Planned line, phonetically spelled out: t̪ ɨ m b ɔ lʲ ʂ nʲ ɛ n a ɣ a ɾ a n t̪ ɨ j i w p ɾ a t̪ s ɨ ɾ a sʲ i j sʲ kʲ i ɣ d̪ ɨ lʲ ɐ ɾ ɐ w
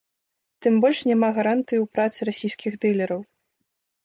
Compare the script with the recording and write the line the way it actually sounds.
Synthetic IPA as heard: t̪ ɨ m b ɔ lʲ ʂ nʲ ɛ m a ɣ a ɾ a n t̪ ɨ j i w p ɾ a t̪ s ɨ ɾ a sʲ i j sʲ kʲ i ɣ d̪ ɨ lʲ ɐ ɾ ɐ w